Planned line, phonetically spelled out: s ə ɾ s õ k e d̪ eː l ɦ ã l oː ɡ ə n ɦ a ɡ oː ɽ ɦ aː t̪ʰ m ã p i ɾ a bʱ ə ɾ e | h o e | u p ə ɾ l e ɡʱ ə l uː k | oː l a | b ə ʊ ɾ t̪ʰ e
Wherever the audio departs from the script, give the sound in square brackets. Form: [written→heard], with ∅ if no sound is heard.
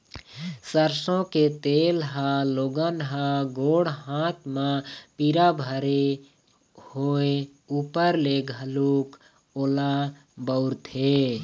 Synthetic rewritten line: s ə ɾ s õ k e [d̪→t̪] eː l ɦ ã l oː ɡ ə n ɦ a ɡ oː ɽ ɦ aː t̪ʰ m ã p i ɾ a bʱ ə ɾ e | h o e | u p ə ɾ l e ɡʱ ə l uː k | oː l a | b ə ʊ ɾ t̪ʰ e